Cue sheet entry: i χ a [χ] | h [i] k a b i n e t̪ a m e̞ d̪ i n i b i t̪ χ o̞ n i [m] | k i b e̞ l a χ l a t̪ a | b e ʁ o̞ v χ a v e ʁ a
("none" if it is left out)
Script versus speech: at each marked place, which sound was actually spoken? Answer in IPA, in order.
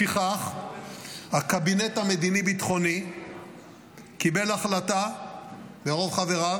χ, a, none

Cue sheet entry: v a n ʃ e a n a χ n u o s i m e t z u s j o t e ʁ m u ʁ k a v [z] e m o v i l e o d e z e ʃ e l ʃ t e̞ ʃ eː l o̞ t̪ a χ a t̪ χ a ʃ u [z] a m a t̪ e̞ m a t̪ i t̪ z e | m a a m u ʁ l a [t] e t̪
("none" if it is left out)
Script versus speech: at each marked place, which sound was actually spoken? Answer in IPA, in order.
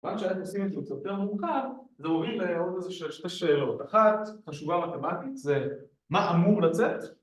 z, v, t͡s

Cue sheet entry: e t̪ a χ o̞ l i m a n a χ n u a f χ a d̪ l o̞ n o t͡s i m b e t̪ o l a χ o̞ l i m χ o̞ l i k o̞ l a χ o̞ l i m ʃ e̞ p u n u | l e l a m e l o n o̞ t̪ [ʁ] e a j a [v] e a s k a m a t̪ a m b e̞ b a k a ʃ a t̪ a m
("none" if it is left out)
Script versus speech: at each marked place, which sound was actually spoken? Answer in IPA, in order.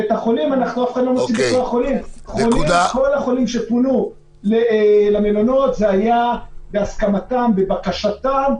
z, b

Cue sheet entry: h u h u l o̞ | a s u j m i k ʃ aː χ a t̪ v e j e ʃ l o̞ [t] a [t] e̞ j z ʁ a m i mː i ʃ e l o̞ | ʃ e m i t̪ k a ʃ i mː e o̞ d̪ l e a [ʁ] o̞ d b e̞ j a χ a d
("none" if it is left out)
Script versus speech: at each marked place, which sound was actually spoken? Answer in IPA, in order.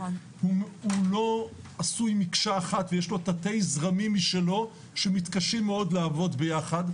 t, t, v

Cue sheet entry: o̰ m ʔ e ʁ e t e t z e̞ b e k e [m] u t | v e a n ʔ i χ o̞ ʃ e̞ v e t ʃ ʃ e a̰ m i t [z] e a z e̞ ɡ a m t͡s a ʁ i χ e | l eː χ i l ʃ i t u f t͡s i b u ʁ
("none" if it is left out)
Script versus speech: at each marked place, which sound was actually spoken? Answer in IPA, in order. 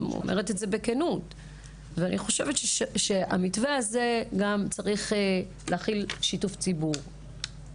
n, v

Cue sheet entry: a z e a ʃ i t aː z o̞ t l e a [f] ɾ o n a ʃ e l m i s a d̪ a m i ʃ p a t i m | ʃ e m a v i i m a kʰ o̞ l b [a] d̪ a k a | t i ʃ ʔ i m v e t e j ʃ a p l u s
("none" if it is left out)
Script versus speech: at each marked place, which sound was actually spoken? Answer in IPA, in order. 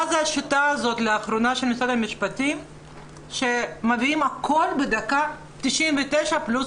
χ, e

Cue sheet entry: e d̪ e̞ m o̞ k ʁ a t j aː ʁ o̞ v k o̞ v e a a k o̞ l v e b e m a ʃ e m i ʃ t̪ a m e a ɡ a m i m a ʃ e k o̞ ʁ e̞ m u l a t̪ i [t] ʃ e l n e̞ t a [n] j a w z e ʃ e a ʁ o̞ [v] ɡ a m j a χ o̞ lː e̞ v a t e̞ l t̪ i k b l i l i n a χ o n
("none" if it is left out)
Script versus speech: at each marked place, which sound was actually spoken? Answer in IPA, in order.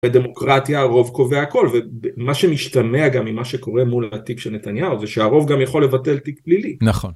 k, n, v

